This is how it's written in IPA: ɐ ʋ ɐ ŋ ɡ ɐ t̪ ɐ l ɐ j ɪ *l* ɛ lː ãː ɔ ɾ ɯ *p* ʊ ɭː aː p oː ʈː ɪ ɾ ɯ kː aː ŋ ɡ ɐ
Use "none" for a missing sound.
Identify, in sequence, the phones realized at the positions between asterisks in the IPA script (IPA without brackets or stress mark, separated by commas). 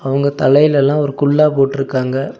l, k